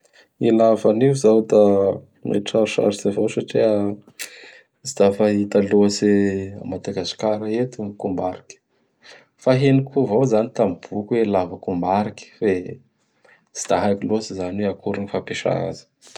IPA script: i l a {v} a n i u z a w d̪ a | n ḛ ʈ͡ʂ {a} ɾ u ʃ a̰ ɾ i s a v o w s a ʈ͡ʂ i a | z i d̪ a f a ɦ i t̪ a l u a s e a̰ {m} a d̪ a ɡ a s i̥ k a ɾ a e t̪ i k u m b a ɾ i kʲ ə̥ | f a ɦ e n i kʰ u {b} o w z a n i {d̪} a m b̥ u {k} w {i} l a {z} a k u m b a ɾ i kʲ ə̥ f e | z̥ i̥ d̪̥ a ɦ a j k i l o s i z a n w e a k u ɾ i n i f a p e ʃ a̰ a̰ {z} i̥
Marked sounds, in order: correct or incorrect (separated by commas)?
correct, correct, correct, incorrect, incorrect, correct, incorrect, incorrect, correct